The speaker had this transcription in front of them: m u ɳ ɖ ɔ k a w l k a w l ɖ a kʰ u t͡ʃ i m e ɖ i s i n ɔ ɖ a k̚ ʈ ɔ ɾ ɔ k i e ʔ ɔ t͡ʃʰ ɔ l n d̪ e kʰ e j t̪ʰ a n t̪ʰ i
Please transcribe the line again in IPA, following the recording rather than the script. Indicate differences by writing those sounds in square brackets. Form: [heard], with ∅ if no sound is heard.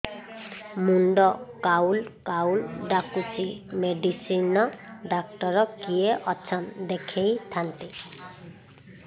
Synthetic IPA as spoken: m u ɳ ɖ ɔ k a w l k a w l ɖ a [k] u t͡ʃ i m e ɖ i s i n ɔ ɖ a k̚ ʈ ɔ ɾ ɔ k i e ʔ ɔ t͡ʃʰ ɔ [∅] n d̪ e kʰ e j t̪ʰ a n [t̪] i